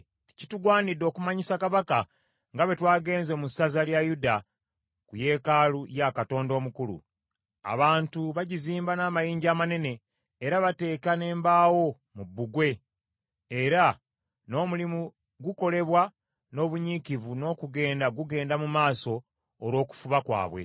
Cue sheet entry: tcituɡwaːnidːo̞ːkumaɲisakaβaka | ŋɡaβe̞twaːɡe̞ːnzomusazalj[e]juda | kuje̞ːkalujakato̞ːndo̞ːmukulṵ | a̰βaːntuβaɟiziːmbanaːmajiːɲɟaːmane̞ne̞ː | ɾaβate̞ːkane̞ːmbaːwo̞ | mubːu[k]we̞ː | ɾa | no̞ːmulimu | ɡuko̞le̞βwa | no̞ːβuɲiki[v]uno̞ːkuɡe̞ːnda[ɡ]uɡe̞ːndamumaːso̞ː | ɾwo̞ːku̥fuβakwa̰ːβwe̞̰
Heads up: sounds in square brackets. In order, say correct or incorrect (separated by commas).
incorrect, incorrect, correct, correct